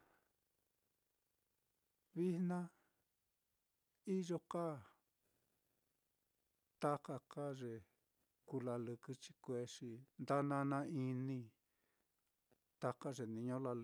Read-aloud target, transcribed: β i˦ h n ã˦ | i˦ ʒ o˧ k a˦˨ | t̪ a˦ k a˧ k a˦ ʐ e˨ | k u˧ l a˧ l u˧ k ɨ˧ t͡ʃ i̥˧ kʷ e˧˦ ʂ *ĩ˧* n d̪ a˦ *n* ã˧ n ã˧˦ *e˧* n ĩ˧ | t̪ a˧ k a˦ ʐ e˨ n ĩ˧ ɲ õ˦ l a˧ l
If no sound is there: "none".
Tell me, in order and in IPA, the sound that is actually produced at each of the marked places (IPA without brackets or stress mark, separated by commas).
i˧, n, i˧